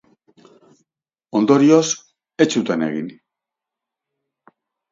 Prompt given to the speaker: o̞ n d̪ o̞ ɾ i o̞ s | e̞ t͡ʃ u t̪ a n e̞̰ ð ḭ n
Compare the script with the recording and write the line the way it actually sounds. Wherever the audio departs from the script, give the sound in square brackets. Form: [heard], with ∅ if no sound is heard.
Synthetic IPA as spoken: o̞ n d̪ o̞ ɾ i o̞ s | e̞ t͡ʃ u t̪ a n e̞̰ [ɣ] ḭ n